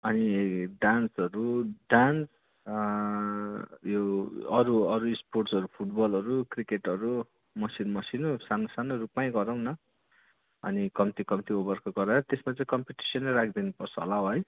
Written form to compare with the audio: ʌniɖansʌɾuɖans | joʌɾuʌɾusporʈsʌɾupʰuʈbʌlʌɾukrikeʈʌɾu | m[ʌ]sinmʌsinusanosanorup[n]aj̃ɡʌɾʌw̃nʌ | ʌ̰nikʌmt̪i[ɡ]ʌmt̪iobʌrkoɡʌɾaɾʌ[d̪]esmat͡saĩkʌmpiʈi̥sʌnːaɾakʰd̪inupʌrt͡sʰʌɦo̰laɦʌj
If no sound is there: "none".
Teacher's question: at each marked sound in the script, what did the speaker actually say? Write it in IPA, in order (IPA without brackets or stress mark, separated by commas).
ʌ, m, k, t̪